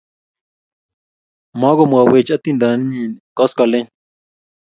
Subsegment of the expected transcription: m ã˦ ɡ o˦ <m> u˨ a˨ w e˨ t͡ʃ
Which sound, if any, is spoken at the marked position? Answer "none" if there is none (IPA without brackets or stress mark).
m